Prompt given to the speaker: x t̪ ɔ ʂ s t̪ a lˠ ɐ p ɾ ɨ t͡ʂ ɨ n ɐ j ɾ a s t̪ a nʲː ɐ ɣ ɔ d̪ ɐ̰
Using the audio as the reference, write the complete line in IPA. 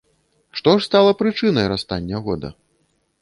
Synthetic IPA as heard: ʂ t̪ ɔ ʂ s t̪ a lˠ ɐ p ɾ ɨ t͡ʂ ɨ n ɐ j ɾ a s t̪ a nʲː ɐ ɣ ɔ d̪ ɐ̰